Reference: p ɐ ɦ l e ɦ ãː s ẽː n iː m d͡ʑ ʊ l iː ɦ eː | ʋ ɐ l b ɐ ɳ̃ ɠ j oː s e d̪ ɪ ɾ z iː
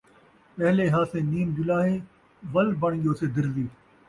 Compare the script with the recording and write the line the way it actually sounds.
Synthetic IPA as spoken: p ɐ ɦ l e ɦ aː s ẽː n iː m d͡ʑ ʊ l aː ɦ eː | ʋ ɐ l b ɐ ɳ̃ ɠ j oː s e d̪ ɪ ɾ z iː